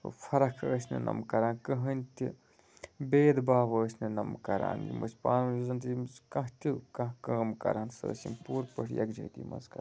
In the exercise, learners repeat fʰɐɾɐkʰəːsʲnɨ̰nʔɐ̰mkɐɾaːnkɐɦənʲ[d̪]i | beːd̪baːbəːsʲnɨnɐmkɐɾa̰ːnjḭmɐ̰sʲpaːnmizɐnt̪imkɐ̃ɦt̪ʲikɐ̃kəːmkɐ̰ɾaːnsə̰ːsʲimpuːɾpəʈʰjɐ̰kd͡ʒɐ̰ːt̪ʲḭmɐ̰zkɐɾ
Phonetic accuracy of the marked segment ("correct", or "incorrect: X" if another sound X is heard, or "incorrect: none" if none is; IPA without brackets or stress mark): incorrect: t̪